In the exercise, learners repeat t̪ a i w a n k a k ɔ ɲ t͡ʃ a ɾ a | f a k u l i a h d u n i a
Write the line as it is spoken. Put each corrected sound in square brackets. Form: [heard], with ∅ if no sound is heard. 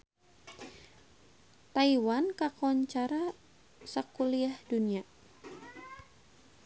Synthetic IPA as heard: t̪ a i w a n k a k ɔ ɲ t͡ʃ a ɾ a | [s] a k u l i a h d u n i a

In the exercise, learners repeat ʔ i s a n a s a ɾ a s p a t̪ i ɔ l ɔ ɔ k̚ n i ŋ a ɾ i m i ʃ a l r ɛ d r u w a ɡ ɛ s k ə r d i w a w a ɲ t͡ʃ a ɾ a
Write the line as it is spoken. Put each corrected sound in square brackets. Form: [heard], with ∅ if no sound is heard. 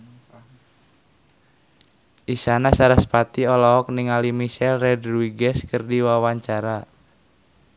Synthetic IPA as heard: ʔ i s a n a s a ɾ a s p a t̪ i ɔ l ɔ ɔ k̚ n i ŋ a [l] i m i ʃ [ɛ] l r ɛ d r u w [i] ɡ ɛ s k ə r d i w a w a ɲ t͡ʃ a ɾ a

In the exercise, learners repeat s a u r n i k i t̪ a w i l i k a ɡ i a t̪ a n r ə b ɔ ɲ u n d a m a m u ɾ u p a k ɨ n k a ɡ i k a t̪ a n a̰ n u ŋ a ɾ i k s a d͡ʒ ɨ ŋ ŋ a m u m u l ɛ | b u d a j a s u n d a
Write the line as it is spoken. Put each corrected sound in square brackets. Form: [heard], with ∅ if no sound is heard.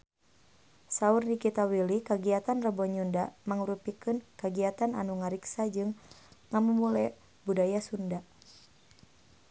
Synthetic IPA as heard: s a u r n i k i t̪ a w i l i k a ɡ i a t̪ a n r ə b ɔ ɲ u n d a m a [ŋ] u ɾ u p [i] k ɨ n k a ɡ i [∅] a t̪ a n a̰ n u ŋ a ɾ i k s a d͡ʒ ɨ ŋ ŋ a m u m u l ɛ | b u d a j a s u n d a

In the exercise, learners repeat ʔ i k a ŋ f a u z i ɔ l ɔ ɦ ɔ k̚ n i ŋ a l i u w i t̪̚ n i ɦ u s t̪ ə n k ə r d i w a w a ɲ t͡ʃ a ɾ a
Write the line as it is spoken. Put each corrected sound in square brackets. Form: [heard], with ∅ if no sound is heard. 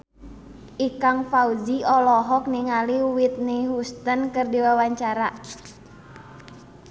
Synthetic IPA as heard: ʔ i k a ŋ f a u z i ɔ l ɔ ɦ ɔ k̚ n i ŋ a l i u w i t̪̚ n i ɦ u s t̪ ə n k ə r d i w a w a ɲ t͡ʃ a ɾ a

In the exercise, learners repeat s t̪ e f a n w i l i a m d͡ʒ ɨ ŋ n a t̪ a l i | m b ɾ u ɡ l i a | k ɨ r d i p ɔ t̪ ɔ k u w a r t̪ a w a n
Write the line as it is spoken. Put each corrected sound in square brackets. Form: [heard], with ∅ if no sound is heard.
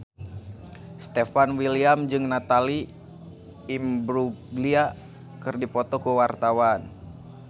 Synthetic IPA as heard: s t̪ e f a n w i l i a m d͡ʒ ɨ ŋ n a t̪ a l i | m b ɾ u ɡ l i a | k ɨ r d i p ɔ t̪ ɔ k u w a r t̪ a w a n

